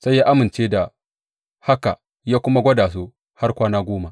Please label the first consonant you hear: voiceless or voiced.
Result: voiceless